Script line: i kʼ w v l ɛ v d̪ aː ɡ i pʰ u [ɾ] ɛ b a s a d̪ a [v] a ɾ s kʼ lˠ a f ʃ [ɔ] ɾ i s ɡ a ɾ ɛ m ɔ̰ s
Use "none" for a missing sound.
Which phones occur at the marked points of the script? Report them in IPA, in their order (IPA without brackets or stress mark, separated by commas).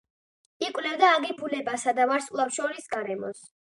l, v, ɔ